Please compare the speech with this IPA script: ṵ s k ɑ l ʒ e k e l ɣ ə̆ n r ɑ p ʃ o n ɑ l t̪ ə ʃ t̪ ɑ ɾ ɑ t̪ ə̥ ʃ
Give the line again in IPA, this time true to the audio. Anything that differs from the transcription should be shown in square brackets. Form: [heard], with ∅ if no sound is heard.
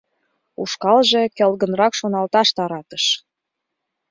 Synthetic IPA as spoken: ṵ [ʃ] k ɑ l ʒ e k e l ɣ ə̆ n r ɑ [k] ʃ o n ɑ l t̪ [ɑ] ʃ t̪ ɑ ɾ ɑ t̪ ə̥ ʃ